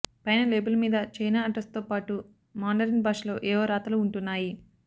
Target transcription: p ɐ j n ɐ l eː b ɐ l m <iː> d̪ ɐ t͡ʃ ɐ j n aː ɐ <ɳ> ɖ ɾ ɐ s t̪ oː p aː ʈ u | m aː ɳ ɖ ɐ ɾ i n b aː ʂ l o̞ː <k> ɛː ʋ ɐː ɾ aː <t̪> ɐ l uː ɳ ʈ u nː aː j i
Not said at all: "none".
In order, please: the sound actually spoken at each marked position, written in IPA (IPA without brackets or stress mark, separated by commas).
iː, none, ʔ, t̪